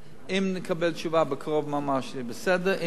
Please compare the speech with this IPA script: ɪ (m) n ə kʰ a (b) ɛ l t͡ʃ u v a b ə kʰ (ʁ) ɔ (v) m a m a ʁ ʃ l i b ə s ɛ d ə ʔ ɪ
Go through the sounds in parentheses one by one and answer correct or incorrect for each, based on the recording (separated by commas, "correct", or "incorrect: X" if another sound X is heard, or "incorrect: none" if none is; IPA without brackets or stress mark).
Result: correct, correct, correct, correct